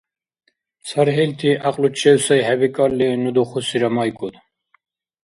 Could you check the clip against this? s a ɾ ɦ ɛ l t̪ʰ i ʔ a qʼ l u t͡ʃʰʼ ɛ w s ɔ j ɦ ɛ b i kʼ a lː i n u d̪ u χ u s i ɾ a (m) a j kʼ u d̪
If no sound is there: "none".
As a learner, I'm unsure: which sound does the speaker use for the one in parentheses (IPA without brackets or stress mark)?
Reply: m